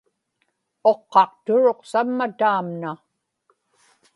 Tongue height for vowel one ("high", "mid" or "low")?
mid